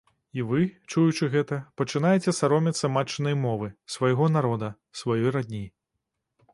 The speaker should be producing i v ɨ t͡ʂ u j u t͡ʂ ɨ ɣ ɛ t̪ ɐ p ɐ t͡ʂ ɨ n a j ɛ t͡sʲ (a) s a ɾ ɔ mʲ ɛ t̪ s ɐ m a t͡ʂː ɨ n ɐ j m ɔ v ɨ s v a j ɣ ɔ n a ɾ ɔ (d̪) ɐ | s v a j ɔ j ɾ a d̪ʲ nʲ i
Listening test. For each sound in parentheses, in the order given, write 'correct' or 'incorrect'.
incorrect, correct

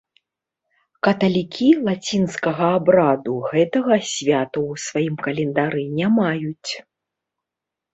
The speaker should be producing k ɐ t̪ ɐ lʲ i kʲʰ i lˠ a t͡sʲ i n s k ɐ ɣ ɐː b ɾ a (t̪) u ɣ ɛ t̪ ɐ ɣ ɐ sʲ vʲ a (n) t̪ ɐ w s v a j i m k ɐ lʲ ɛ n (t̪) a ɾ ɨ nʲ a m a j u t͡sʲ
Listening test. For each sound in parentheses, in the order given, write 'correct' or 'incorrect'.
incorrect, incorrect, incorrect

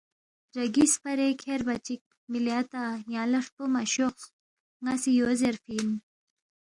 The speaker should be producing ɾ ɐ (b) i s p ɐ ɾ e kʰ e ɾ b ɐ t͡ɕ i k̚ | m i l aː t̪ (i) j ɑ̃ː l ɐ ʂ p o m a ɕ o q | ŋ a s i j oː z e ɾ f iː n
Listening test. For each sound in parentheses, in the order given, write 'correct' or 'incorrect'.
incorrect, incorrect

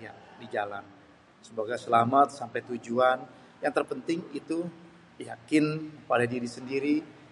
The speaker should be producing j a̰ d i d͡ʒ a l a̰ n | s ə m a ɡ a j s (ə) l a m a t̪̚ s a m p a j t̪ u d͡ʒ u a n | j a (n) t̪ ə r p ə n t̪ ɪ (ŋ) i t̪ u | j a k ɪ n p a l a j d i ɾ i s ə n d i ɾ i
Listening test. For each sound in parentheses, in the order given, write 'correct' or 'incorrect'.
correct, incorrect, correct

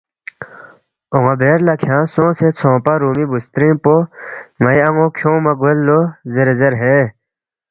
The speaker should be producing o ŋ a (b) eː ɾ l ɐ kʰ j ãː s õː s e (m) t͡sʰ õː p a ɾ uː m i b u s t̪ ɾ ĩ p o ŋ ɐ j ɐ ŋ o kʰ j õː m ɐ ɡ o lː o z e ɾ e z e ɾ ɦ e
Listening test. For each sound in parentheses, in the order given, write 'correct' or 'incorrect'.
correct, incorrect

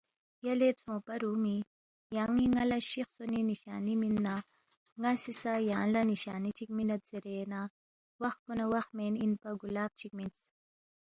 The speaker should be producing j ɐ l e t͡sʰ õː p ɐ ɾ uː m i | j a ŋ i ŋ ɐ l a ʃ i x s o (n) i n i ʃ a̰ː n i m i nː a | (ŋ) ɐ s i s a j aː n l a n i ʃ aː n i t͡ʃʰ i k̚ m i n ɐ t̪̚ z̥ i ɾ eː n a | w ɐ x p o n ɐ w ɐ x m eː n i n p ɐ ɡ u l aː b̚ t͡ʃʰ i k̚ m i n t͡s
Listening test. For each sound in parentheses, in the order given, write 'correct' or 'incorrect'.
correct, correct

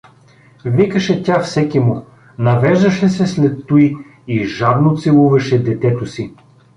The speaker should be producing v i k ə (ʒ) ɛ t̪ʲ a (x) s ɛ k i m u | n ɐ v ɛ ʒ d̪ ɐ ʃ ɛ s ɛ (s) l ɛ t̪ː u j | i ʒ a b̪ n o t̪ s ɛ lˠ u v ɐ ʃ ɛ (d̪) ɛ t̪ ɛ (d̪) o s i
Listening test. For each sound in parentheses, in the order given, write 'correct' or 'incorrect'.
incorrect, incorrect, correct, correct, incorrect

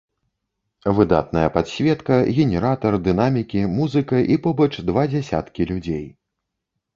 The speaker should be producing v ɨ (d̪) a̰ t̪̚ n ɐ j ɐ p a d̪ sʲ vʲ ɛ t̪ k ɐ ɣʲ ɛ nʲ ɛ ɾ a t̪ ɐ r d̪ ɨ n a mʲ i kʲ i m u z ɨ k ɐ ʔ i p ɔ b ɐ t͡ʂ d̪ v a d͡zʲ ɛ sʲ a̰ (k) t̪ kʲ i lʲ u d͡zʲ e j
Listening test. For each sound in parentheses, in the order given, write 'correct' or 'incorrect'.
correct, incorrect

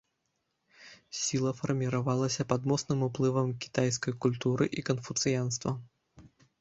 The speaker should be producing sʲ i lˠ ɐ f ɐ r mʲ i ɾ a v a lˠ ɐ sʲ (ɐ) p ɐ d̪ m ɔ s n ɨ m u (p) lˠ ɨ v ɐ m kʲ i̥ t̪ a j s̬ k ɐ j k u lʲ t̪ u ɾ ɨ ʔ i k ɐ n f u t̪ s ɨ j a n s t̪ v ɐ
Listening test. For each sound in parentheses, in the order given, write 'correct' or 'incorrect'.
correct, correct

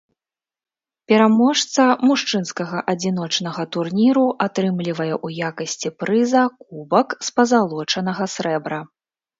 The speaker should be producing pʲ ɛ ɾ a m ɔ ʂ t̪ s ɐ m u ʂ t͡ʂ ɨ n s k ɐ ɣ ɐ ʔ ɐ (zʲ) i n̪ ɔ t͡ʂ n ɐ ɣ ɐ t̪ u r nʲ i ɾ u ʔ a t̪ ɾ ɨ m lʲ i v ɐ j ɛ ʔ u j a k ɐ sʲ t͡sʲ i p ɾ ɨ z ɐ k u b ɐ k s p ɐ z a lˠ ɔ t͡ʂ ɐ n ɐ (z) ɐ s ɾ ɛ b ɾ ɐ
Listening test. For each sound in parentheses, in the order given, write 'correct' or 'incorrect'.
incorrect, incorrect

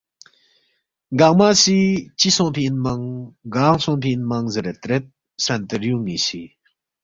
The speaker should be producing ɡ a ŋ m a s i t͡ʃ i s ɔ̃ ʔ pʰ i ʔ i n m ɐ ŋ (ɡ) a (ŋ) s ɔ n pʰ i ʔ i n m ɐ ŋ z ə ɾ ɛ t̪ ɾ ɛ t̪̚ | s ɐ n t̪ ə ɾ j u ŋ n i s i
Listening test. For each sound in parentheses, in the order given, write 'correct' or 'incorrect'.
correct, correct

